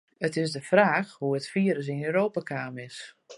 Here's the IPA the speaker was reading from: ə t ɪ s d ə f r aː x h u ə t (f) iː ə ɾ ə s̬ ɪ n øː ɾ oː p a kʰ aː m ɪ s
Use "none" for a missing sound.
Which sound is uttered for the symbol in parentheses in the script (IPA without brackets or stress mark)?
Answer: f